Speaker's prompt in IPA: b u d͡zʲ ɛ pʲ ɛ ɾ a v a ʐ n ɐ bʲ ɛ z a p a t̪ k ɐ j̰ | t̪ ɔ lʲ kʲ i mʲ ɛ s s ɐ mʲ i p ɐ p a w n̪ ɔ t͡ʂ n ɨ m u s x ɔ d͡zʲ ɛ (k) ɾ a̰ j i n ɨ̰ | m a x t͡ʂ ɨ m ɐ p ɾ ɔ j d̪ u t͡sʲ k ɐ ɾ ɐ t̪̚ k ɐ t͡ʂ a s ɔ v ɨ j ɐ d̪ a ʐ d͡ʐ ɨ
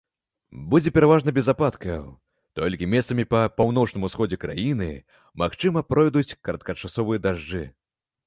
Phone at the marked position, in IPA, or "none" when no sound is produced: k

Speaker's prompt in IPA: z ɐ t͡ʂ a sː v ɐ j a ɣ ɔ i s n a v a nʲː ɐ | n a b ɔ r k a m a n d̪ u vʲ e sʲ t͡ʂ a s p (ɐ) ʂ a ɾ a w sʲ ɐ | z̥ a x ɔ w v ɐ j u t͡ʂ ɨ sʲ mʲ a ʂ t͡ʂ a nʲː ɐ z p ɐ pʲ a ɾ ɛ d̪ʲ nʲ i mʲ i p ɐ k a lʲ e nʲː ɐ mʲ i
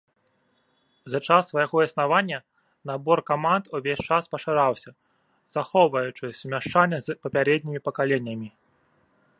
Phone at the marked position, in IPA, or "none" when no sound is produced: ɐ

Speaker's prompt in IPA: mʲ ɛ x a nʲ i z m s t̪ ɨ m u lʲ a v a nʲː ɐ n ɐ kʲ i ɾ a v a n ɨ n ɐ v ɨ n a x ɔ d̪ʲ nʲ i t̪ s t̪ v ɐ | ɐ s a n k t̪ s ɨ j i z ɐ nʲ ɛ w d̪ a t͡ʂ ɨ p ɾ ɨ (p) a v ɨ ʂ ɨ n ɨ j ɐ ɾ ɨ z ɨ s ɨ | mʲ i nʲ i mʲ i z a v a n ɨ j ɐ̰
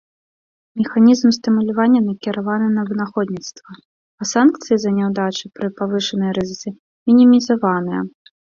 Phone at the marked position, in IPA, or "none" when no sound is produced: p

